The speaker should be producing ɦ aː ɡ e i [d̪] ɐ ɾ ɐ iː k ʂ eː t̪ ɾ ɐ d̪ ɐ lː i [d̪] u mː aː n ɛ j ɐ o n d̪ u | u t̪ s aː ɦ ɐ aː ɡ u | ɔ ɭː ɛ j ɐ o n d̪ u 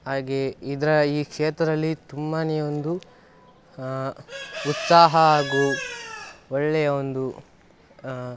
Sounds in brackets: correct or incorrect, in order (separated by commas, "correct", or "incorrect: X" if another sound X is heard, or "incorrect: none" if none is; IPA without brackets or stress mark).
correct, incorrect: t̪